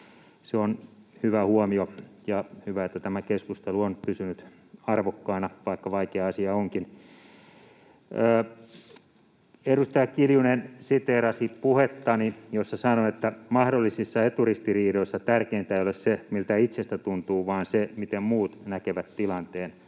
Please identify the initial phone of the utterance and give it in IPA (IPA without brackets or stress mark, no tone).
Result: s